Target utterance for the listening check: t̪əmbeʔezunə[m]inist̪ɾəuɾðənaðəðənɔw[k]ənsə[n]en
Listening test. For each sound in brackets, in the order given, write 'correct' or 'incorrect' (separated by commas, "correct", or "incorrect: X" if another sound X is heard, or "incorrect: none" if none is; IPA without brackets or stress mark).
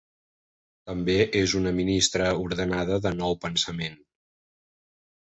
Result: correct, incorrect: p, incorrect: m